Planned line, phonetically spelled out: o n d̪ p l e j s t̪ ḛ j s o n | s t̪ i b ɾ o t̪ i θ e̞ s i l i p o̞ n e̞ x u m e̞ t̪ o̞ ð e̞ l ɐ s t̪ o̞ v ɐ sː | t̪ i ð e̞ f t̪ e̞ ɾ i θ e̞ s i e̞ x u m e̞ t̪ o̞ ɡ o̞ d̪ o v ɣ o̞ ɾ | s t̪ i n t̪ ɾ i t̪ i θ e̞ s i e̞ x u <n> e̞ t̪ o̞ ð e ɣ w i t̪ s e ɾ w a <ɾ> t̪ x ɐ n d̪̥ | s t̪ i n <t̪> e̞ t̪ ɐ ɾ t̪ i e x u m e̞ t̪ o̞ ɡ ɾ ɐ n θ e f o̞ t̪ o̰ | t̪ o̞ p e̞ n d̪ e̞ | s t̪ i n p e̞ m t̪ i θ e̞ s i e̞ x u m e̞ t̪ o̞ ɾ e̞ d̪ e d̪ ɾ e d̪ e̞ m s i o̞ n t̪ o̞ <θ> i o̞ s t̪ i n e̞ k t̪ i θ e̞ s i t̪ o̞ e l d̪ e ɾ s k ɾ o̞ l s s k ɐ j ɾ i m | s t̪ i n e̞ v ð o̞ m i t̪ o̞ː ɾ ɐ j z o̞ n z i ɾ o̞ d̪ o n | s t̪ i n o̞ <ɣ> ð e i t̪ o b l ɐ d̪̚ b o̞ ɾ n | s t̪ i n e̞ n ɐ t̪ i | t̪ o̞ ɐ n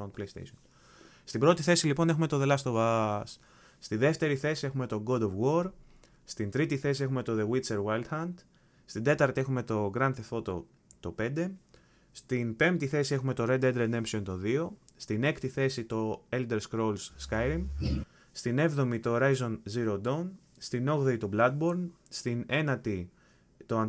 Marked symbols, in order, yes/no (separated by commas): no, no, no, no, yes